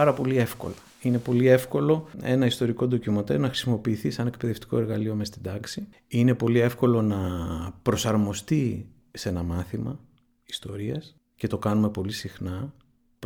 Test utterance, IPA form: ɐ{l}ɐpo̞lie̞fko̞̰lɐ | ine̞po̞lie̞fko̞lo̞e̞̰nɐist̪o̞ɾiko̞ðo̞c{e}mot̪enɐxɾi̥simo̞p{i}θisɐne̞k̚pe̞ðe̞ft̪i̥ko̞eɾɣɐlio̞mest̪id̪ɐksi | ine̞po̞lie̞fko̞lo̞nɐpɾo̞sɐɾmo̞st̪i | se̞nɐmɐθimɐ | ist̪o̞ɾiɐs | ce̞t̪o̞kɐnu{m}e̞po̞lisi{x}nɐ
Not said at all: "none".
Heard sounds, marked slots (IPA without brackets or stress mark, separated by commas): ɾ, i, iː, m, x